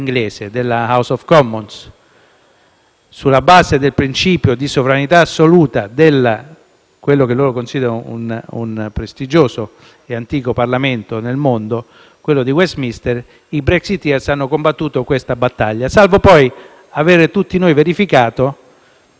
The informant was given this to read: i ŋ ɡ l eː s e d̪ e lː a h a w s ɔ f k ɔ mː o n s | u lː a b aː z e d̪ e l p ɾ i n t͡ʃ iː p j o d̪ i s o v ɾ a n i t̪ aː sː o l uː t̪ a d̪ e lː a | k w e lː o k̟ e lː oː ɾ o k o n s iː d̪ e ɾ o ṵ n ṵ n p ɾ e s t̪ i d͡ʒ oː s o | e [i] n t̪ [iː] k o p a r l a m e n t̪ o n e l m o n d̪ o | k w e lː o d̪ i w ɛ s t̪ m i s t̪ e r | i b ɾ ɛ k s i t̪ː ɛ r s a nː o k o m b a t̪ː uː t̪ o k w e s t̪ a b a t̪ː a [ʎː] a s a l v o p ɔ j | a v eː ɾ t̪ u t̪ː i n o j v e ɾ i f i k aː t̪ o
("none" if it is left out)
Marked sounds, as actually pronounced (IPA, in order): a, iː, ʎː

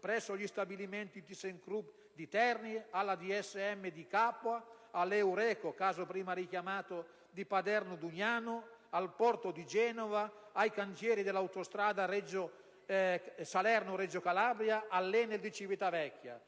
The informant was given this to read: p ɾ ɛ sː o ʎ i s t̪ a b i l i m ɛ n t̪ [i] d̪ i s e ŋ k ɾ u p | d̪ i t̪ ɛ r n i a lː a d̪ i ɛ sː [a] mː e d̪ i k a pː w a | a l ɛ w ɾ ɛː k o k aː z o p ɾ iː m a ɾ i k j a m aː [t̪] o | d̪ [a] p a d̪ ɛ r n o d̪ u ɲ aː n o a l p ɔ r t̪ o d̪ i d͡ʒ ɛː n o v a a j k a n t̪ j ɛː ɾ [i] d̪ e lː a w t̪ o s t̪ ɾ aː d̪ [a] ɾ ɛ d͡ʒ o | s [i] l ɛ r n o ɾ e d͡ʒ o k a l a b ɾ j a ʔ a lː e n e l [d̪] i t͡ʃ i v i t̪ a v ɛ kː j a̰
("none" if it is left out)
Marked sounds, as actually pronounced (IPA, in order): i, ɛ, t̪, i, i, a, a, d̪

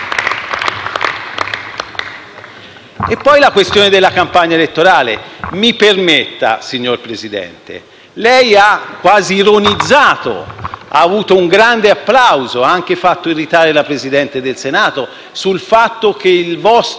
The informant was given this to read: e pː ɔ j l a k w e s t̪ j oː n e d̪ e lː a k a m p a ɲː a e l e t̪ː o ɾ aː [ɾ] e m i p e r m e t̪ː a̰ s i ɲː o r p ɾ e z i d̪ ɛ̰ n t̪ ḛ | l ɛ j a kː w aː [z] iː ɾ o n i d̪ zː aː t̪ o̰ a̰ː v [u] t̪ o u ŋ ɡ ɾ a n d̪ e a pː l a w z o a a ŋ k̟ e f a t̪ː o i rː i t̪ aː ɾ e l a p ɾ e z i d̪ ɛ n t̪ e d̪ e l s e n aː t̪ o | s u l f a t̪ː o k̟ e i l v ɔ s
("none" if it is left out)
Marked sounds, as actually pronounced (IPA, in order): l, z, uː

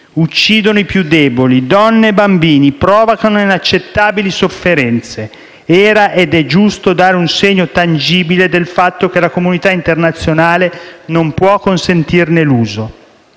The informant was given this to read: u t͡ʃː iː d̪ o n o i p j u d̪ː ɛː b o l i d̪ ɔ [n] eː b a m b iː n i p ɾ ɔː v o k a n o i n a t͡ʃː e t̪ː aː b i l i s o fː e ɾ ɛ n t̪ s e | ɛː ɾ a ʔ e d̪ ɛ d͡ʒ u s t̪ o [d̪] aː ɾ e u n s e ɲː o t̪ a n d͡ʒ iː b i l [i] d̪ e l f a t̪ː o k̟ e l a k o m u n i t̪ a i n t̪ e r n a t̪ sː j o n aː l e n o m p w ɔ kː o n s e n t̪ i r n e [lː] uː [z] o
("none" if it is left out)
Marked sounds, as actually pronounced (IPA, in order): nː, d̪, e, l, z

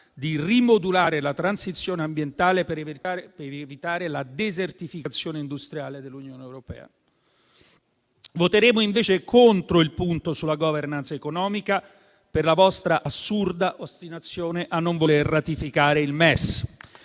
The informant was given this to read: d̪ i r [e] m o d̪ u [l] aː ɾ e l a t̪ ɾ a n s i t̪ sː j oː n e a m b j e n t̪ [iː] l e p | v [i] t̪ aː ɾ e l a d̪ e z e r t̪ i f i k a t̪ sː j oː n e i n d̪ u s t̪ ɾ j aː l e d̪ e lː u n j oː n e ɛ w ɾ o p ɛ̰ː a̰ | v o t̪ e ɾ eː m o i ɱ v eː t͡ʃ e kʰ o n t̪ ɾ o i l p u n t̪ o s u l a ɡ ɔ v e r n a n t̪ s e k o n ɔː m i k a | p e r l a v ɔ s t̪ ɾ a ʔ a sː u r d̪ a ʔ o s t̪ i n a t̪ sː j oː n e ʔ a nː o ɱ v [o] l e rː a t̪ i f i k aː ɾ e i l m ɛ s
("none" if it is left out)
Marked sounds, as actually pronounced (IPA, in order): i, l, aː, i, o

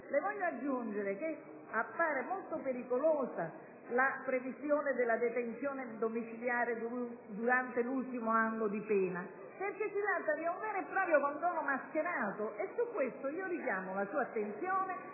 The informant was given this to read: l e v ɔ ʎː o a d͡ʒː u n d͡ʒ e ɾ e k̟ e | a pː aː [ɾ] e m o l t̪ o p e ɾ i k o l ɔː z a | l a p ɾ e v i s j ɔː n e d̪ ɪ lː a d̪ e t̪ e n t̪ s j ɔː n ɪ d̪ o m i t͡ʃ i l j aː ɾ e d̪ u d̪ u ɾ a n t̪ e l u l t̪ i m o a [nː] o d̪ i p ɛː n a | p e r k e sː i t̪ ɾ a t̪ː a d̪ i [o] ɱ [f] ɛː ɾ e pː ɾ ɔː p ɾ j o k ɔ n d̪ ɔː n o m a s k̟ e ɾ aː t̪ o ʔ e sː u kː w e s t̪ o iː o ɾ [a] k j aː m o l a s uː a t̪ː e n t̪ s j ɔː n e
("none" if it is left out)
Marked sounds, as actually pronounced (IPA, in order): ɾ, nː, u, v, i

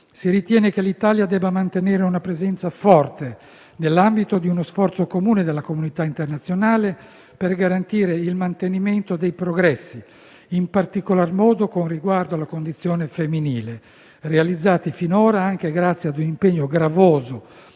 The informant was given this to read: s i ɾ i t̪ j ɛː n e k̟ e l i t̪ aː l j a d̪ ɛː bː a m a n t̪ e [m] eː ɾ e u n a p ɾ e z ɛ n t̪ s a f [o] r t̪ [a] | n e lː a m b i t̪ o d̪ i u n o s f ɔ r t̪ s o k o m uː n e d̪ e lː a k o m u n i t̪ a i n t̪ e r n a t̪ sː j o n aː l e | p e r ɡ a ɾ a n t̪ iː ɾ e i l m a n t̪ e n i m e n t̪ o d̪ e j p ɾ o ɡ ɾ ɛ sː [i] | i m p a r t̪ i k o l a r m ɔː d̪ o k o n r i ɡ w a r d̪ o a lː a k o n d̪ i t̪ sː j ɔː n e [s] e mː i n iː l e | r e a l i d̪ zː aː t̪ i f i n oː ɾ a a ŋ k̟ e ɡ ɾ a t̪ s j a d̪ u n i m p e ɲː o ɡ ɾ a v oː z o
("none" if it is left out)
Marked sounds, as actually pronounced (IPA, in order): n, ɔ, e, i, f

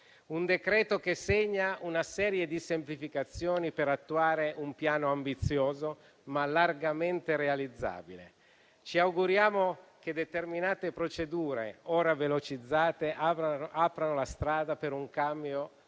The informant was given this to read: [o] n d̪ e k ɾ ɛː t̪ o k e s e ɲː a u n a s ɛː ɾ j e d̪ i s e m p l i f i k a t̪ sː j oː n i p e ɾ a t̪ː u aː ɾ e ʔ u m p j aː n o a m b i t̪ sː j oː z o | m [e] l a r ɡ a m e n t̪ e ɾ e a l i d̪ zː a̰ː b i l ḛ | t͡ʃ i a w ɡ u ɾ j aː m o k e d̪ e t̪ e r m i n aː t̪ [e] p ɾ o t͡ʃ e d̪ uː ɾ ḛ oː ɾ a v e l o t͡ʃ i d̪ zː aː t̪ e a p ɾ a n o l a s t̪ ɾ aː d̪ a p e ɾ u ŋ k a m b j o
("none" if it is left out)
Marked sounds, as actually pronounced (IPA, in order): u, a, e

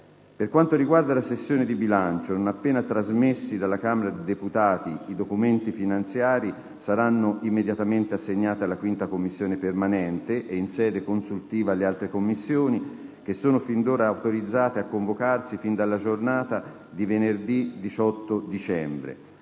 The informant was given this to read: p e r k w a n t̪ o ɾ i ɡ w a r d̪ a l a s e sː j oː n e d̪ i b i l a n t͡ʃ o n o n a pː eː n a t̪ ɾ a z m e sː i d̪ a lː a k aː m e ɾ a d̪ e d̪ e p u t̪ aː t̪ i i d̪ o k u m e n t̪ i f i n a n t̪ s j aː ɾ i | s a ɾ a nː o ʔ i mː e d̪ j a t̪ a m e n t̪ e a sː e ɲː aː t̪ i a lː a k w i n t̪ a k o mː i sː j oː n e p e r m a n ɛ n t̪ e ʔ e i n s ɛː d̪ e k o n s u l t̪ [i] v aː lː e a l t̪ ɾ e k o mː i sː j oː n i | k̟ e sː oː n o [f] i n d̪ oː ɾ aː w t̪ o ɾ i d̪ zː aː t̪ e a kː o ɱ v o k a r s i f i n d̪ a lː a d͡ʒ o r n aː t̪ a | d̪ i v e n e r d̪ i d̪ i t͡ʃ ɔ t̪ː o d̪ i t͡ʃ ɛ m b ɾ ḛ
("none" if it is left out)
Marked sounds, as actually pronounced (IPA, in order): iː, f

